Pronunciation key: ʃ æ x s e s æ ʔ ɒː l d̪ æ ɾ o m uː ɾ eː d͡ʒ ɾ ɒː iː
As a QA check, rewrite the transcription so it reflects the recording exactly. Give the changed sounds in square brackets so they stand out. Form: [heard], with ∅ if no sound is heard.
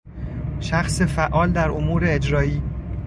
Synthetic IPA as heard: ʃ æ x s e [f] æ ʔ ɒː l d̪ æ ɾ o m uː ɾ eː d͡ʒ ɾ ɒː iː